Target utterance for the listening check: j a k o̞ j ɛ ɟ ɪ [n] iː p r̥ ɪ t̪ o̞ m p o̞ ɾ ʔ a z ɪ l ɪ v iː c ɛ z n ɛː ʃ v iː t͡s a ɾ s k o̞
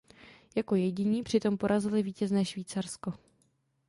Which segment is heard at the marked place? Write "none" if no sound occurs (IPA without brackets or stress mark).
ɲ